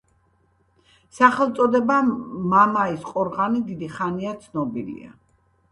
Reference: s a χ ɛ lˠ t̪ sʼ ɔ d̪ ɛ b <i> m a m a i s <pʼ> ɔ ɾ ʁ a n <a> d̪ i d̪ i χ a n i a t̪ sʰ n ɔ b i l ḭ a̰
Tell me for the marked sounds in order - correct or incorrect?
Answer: incorrect, incorrect, incorrect

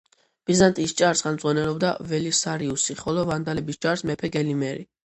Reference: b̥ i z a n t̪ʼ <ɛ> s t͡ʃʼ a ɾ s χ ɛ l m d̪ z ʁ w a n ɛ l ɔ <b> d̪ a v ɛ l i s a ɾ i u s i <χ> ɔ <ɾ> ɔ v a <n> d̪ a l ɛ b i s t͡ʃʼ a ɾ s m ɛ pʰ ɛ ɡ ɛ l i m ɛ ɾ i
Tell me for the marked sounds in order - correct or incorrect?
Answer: incorrect, correct, correct, incorrect, correct

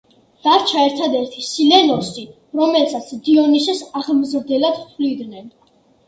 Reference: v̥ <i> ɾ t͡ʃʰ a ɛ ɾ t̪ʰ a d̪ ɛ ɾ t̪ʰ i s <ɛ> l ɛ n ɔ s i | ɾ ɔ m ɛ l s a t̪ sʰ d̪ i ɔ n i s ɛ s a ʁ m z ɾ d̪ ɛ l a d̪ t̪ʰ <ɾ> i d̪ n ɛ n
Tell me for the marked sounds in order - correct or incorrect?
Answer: incorrect, incorrect, incorrect

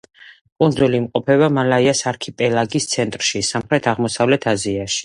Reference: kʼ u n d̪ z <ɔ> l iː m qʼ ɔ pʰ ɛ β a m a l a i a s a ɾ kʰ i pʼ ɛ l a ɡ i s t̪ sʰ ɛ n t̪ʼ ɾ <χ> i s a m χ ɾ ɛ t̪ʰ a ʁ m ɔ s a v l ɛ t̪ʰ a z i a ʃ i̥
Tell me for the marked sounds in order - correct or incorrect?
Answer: incorrect, incorrect

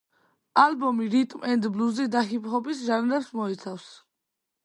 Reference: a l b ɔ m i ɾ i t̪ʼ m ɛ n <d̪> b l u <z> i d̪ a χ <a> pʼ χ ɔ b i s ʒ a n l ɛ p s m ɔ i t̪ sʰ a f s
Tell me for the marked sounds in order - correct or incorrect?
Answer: correct, correct, incorrect

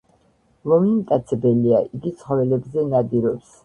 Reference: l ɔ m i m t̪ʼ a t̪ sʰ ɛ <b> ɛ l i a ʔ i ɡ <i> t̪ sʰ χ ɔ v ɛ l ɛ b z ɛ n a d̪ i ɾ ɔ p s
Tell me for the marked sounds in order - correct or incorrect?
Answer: correct, correct

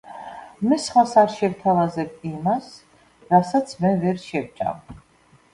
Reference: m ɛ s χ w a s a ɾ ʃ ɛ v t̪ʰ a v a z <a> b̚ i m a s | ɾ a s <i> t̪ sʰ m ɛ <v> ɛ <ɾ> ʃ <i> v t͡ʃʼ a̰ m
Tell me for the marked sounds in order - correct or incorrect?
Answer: incorrect, incorrect, correct, correct, incorrect

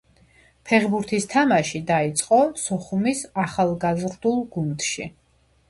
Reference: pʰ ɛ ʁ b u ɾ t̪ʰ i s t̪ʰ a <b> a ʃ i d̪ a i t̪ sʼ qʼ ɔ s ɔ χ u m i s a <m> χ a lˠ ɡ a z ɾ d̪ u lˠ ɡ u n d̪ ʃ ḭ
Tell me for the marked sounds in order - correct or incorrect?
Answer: incorrect, incorrect

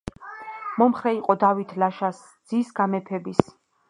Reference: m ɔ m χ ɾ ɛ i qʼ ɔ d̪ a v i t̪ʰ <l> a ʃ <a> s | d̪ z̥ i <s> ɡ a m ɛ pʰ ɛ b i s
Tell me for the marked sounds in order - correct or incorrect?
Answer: correct, correct, correct

